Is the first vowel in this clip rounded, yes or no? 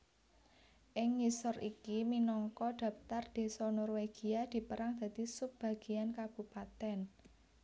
no